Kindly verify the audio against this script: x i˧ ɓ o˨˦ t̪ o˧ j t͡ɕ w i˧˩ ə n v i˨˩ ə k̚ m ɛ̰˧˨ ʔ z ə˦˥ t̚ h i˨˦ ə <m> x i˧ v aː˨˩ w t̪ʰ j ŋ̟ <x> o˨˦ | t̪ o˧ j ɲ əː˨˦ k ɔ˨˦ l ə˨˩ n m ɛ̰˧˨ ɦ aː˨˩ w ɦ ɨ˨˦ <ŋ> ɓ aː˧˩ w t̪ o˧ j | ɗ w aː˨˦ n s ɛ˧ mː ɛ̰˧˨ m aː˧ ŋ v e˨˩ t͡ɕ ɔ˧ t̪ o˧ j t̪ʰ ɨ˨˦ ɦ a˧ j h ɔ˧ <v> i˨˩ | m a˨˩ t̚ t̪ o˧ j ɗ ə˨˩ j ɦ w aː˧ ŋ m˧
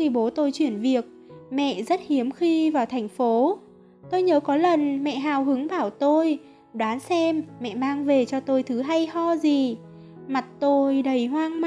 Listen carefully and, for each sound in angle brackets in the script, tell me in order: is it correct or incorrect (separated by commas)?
correct, incorrect, correct, incorrect